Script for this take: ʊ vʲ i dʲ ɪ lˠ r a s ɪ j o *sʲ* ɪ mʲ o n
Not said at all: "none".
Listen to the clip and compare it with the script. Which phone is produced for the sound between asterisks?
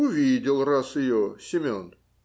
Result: sʲ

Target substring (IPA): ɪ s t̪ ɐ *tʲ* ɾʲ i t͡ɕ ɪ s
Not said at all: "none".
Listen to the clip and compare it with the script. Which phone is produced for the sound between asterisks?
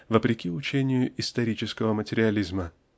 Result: none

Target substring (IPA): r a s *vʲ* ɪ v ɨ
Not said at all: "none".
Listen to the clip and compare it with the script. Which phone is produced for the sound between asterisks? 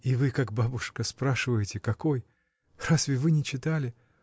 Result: vʲ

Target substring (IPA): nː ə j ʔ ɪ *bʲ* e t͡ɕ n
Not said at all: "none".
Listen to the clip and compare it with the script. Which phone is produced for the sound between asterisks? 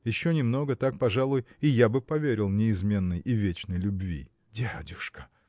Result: vʲ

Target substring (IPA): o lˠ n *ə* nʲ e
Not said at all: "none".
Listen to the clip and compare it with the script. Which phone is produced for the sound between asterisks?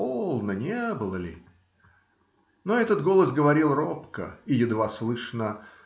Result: ə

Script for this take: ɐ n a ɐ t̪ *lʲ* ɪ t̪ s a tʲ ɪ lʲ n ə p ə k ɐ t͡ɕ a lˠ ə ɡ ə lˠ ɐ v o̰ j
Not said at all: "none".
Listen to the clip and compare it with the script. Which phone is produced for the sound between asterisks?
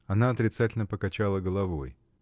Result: ɾʲ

